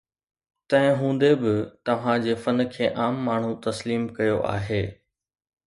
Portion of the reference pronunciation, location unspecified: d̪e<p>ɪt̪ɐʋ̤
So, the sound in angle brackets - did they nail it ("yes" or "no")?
no